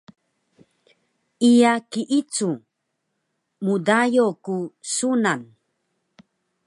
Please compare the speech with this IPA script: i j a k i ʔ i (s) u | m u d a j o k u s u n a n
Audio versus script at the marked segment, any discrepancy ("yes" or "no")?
yes